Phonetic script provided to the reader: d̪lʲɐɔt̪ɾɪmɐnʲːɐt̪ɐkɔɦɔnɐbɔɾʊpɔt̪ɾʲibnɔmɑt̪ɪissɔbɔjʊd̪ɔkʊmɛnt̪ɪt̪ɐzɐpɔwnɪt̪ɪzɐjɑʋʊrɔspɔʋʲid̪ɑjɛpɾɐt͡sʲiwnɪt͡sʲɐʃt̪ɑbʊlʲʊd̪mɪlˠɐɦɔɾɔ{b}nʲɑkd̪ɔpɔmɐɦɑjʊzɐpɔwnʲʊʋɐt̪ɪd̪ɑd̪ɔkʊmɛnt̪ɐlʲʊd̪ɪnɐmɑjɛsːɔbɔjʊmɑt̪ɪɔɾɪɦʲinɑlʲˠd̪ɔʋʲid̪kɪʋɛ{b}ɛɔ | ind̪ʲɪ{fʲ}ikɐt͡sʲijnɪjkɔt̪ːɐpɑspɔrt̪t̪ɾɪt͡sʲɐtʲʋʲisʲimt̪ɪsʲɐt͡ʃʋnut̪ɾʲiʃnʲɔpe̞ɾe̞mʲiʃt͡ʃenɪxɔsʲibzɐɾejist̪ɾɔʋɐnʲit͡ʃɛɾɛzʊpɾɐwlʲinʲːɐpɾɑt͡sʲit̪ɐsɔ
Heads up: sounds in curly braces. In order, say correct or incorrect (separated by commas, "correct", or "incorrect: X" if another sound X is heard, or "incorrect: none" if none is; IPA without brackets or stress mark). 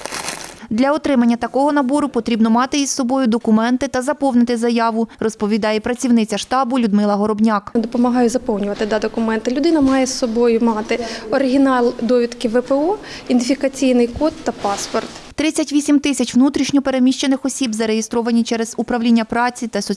correct, incorrect: p, correct